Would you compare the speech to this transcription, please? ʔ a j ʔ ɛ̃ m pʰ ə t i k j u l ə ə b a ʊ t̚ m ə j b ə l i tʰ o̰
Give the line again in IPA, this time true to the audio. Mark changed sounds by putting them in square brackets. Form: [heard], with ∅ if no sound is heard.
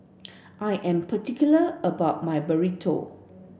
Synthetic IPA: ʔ a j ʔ ɛ̃ m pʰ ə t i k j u l ə ə b a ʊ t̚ m [a] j b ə [ɹ] i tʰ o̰

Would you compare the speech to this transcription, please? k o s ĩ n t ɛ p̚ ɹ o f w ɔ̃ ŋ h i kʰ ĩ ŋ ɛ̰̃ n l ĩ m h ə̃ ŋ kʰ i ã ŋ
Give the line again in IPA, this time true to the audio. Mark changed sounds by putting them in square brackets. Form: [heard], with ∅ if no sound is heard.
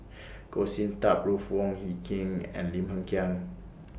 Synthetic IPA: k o s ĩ n t [a] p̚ ɹ [u] f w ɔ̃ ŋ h i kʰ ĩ ŋ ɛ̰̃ n l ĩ m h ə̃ ŋ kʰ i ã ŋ

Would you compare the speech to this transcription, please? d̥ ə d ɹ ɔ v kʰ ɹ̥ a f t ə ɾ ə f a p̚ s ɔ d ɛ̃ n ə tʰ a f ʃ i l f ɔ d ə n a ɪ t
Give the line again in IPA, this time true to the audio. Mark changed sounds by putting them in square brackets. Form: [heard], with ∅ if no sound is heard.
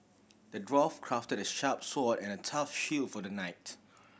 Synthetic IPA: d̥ ə d ɹ ɔ [f] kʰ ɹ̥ a f t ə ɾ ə [ʃ] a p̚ s ɔ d ɛ̃ n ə tʰ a f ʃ i l f ɔ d ə n a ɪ t

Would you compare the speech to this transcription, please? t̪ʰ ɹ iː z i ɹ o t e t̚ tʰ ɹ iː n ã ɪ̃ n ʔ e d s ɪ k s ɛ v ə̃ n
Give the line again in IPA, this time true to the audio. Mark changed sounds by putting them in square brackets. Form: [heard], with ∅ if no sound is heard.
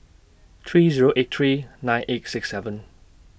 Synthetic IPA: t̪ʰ ɹ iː z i ɹ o [ʔ] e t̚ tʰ ɹ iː n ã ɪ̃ n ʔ e [t] s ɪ k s ɛ v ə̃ n

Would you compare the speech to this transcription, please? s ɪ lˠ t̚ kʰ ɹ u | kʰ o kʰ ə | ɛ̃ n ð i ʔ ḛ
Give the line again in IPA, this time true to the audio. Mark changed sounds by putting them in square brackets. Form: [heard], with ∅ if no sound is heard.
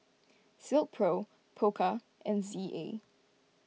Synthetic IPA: s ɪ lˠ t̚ [pʰ] ɹ [o] | [pʰ] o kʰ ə | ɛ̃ n [z] i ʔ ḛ

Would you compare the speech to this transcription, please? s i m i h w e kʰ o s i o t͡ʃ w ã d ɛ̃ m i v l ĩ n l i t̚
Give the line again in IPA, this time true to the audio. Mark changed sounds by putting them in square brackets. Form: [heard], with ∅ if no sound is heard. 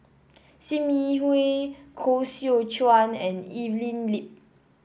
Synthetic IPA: s i m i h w e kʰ o s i o t͡ʃ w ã [n] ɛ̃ [n] i v l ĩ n l i [p̚]

